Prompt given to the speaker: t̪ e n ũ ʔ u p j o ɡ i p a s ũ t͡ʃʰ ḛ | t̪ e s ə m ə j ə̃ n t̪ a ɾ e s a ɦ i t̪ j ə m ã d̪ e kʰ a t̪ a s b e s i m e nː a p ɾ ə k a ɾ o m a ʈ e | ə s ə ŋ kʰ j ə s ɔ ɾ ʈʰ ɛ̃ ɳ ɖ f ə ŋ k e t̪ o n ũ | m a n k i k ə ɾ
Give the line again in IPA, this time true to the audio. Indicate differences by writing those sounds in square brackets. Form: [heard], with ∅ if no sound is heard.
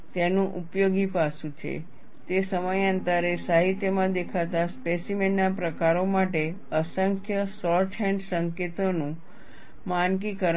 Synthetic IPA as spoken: t̪ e n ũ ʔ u p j o ɡ i p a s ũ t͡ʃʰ ḛ | t̪ e s ə m ə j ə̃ n t̪ a ɾ e s a ɦ i t̪ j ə m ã d̪ e kʰ a t̪ a s [p] e s i m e nː a p ɾ ə k a ɾ o m a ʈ e | ə s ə ŋ kʰ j ə s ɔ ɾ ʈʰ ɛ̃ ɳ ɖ [s] ə ŋ k e t̪ o n ũ | m a n k i k ə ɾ